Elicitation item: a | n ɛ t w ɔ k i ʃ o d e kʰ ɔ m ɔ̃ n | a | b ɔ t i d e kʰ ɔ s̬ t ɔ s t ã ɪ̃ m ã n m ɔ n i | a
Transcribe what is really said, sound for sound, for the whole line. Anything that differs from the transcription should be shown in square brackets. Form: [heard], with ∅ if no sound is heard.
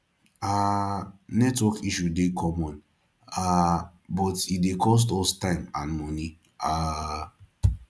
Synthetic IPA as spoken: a | n ɛ t w ɔ k i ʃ [u] d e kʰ ɔ m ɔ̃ n | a | b ɔ t i d e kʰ ɔ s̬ t ɔ s t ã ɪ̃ m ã n m ɔ n i | a

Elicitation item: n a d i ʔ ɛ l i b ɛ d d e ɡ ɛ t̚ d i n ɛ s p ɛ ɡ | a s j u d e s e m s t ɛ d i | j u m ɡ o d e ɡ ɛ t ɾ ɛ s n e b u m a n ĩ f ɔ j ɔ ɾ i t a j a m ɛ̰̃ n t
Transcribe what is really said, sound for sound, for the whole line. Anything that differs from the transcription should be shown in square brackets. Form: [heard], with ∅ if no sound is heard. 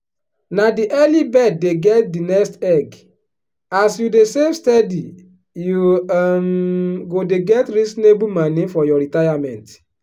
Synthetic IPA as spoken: n a d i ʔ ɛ l i b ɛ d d e ɡ ɛ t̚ d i n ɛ s [t] ɛ ɡ | a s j u d e s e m s t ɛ d i | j u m ɡ o d e ɡ ɛ t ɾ [i] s n e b u m a n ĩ f ɔ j ɔ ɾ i t a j a m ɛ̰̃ n t

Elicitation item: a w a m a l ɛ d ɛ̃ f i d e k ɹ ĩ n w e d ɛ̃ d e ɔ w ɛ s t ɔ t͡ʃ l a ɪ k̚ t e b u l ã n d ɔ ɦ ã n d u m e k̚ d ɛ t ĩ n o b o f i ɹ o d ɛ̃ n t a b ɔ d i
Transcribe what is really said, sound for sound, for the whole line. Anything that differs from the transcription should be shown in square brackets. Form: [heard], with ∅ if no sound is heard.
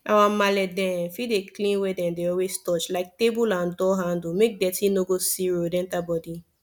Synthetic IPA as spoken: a w a m a l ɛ d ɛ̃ f i d e k [l] ĩ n w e d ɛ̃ d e ɔ w [e] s t ɔ t͡ʃ l a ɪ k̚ t e b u l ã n d ɔ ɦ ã n d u m e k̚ d ɛ t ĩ n o [ɡ] o [s] i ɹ o d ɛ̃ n t a b ɔ d i

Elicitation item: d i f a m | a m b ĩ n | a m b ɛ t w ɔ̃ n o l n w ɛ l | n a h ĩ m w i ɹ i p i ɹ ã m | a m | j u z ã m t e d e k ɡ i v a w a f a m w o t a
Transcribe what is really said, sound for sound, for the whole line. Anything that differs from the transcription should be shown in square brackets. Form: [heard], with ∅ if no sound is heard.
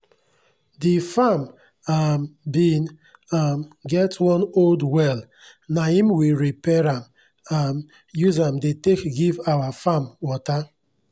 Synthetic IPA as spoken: d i f a m | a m b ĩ n | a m [ɡ] ɛ t w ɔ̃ n o l [d] w ɛ l | n a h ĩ m w i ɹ i p [ɛ] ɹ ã m | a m | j u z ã m [d] e [t] e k ɡ i v a w a f a m w [ɔ] t a

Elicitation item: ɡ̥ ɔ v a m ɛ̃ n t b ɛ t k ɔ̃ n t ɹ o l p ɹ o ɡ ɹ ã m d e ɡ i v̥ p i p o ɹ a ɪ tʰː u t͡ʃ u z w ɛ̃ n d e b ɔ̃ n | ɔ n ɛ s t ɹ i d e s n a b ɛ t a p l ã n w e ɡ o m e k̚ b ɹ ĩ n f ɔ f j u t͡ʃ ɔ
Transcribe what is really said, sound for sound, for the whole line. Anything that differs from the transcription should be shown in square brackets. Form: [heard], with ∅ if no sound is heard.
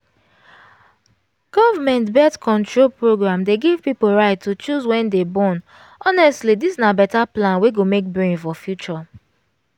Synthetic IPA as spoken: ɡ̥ ɔ v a m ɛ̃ n t b ɛ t k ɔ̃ n t ɹ o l p ɹ o ɡ ɹ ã m d e ɡ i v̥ p i p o ɹ a ɪ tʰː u t͡ʃ u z w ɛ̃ n d e b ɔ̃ n | ɔ n ɛ s t [l] i d [i] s n a b ɛ t a p l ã n w e ɡ o m e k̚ b ɹ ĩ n f ɔ f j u t͡ʃ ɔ

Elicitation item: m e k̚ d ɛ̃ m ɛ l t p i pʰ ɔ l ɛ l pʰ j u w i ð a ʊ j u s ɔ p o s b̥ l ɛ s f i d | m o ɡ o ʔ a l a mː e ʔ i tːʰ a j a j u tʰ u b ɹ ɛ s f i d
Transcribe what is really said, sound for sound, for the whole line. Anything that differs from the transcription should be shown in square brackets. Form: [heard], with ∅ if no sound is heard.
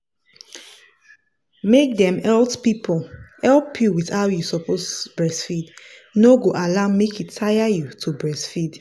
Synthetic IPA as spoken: m e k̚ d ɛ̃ m ɛ l t p i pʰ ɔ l ɛ l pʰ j u w i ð a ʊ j u s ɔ p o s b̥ [ɹ] ɛ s f i d | [n] o ɡ o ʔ a l a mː e [k] i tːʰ a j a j u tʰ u b ɹ ɛ s f i d

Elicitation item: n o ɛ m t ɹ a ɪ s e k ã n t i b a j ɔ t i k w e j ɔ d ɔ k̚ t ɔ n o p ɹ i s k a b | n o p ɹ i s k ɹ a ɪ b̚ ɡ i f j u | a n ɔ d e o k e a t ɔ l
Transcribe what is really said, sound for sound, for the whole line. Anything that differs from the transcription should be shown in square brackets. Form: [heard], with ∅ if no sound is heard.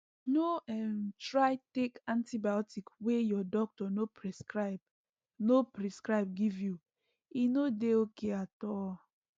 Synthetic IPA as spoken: n o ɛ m t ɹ a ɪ [t] e k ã n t i b a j ɔ t i k w e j ɔ d ɔ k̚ t ɔ n o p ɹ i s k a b | n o p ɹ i s k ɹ a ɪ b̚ ɡ i [v] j u | [i] n [o] d e o k e a t ɔ l

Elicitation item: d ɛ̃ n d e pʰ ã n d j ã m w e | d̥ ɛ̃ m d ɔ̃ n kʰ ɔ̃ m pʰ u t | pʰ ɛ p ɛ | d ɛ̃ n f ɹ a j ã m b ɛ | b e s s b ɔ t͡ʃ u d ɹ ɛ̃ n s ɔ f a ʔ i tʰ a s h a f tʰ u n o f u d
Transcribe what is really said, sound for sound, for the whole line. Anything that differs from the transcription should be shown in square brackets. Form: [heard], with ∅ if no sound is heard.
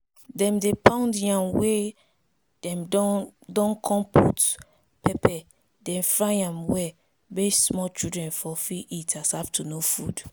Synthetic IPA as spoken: d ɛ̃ [m] d e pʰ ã n d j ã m w e | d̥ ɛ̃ m d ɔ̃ n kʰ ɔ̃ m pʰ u t | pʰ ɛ p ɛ | d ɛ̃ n f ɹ a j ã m [w] ɛ | b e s s [m] ɔ t͡ʃ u d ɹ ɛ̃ n [f] ɔ f [i] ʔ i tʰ a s h a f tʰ u n o f u d

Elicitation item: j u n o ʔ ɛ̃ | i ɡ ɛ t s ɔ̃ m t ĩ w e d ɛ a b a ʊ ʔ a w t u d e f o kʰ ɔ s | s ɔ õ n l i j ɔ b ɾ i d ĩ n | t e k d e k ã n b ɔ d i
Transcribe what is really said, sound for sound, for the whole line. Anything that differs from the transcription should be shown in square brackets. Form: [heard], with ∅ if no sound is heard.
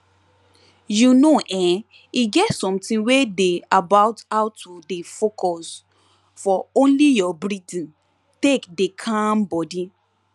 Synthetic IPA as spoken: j u n o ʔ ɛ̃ | i ɡ ɛ t s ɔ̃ m t ĩ w e d [e] a b a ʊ [t] a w t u d e f o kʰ ɔ s | [f] ɔ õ n l i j ɔ b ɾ i d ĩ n | t e k d e [kʰ] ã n b ɔ d i

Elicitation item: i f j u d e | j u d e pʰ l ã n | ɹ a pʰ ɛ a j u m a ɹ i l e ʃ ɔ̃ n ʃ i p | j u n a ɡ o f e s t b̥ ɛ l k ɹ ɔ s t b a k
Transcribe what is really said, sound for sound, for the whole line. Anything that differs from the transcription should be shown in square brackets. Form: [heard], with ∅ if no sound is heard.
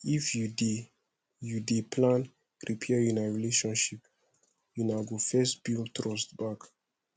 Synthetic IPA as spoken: i f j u d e | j u d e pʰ l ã n | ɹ [i] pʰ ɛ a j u [n] a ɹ i l e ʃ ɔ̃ n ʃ i p | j u n a ɡ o f [ɛ] s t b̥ [i] l [t] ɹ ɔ s t b a k

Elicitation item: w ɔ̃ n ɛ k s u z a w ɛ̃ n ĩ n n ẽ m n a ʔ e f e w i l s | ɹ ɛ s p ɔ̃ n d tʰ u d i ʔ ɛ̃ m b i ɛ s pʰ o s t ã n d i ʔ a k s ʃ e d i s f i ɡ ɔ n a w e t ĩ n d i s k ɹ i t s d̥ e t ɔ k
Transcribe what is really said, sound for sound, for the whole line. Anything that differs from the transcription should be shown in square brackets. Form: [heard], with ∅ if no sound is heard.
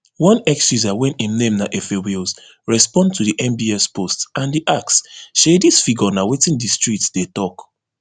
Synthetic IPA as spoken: w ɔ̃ n ɛ k s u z a w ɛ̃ n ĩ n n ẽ m n a ʔ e f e w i l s | ɹ ɛ s p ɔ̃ n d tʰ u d i ʔ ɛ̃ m b i ɛ s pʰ o s t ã n d i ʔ a k s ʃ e d i s f i ɡ ɔ n a w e t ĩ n d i s [t] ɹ i t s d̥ e t ɔ k

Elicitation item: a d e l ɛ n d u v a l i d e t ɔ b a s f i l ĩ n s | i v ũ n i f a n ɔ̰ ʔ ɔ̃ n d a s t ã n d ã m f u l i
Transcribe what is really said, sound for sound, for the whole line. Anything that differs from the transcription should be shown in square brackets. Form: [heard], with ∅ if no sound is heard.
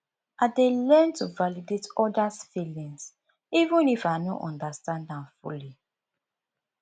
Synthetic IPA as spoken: a d e l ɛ n [t] u v a l i d e t ɔ [d] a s f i l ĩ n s | i v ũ n i f a n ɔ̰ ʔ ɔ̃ n d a s t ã n d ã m f u l i

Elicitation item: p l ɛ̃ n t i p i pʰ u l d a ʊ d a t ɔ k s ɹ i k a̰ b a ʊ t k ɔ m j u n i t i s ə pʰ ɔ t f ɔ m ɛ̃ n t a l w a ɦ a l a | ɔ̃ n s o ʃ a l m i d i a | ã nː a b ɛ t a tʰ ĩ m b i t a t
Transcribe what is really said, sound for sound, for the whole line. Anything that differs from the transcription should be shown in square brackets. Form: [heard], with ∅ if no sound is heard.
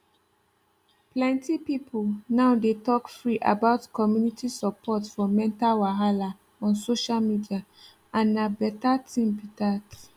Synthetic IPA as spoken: p l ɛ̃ n t i p i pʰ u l [n] a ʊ d [e] t ɔ k [f] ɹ i [ʔ] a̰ b a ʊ t k ɔ m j u n i t i s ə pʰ ɔ t f ɔ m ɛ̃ n t a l w a ɦ a l a | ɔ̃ n s o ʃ a l m i d i a | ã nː a b ɛ t a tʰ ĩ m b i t a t

